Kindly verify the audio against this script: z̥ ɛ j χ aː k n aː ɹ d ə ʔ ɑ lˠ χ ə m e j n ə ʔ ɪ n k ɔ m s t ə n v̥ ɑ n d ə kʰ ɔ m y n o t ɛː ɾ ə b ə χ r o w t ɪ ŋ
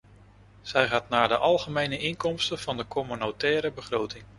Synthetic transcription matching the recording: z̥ ɛ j χ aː t n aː ɹ d ə ʔ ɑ lˠ χ ə m e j n ə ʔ ɪ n k ɔ m s t ə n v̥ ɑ n d ə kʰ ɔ m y n o t ɛː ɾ ə b ə χ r o w t ɪ ŋ